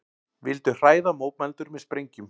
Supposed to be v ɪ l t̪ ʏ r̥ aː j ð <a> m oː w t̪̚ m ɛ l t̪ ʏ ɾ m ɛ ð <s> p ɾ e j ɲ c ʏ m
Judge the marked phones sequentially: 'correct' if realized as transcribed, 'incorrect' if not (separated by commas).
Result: correct, correct